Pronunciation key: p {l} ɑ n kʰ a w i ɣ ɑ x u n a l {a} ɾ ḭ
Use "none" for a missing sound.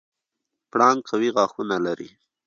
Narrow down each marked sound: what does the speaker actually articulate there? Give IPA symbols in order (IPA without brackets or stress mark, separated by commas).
ɽ, a